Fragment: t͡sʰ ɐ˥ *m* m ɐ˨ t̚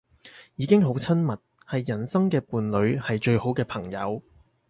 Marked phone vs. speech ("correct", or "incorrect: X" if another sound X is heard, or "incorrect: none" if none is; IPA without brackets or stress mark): incorrect: n